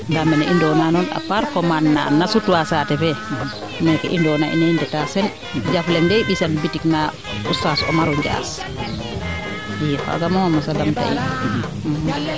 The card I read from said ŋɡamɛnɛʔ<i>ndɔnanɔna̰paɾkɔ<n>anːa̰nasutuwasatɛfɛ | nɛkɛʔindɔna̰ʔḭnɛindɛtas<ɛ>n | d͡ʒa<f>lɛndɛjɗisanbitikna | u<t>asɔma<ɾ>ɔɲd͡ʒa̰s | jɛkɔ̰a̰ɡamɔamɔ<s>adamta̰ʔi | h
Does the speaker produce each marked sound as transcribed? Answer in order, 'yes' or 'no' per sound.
yes, no, yes, yes, no, yes, yes

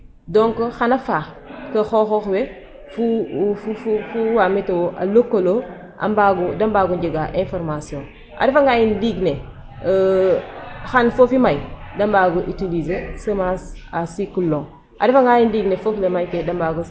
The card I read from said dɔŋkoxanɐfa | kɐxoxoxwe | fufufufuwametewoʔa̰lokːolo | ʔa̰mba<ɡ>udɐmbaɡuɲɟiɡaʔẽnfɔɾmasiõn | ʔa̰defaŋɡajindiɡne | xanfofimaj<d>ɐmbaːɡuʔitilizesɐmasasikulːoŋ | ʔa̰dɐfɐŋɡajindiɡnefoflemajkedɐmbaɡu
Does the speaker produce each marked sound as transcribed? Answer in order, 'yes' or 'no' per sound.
yes, yes

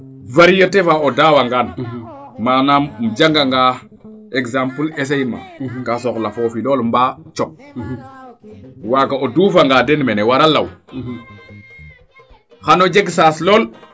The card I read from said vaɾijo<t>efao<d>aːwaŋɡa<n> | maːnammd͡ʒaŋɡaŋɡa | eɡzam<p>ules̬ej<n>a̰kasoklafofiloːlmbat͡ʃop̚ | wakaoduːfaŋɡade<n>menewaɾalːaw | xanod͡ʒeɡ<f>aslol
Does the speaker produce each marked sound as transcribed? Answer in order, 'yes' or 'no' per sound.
yes, yes, yes, yes, no, yes, no

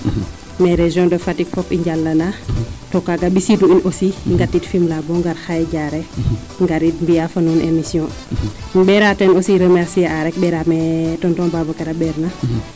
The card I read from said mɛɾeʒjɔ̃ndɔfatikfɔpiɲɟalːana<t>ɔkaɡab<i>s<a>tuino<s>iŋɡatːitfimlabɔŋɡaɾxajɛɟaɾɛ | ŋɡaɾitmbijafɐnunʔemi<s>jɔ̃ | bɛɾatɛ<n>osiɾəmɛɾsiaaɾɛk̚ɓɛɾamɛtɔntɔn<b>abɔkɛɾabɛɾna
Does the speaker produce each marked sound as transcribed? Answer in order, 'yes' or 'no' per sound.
yes, yes, no, yes, yes, yes, yes

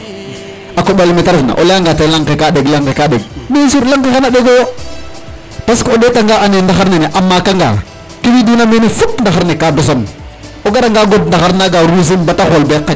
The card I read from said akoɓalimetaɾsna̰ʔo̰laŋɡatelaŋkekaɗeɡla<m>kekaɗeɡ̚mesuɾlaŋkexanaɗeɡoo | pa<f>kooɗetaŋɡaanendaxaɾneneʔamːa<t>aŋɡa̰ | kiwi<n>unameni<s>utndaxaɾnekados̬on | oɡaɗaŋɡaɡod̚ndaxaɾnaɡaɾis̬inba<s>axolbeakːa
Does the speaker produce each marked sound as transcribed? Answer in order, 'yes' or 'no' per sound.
no, no, no, no, no, no

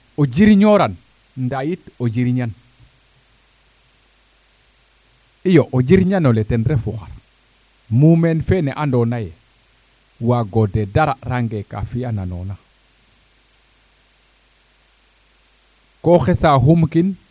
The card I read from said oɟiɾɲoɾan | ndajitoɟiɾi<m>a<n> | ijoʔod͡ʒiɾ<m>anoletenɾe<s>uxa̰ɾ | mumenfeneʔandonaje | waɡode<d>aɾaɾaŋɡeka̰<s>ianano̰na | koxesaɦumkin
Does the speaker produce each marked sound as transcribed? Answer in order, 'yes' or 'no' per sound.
no, yes, no, no, yes, no

